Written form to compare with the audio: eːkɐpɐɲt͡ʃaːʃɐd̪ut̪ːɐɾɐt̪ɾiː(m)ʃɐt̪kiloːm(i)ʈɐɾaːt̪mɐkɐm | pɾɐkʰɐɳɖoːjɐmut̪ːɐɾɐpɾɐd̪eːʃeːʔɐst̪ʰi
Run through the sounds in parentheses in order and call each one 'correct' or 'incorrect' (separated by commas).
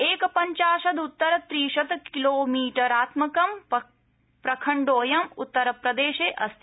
incorrect, incorrect